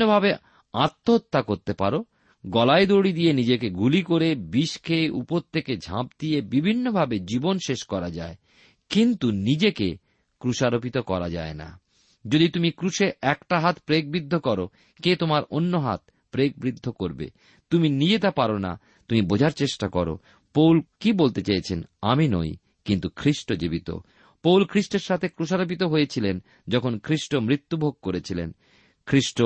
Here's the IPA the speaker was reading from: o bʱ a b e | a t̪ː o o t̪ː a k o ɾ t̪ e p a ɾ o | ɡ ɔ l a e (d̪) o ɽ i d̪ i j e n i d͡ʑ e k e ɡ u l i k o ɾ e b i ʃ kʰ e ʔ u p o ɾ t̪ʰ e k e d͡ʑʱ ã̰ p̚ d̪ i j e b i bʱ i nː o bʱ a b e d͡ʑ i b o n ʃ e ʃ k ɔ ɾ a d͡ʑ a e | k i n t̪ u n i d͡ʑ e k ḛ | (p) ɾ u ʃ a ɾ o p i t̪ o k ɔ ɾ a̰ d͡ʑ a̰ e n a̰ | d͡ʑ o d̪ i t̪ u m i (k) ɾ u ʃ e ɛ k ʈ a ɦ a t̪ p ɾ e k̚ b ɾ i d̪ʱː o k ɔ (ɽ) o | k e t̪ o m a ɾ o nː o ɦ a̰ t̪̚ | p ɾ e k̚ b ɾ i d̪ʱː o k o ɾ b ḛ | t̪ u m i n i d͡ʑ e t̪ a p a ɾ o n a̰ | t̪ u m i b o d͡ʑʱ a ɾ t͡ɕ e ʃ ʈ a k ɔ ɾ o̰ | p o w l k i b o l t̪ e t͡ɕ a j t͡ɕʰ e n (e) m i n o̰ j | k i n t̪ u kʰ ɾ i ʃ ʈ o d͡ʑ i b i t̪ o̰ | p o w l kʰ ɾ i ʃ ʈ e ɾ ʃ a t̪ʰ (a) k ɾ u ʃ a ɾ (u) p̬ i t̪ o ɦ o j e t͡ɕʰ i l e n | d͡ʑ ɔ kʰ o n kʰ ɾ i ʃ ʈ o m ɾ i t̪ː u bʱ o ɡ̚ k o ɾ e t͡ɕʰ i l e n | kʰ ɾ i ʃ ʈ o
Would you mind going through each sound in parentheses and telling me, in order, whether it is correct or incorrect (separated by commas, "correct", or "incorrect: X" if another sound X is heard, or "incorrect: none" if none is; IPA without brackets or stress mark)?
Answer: correct, incorrect: k, correct, incorrect: ɾ, incorrect: a, incorrect: e, incorrect: o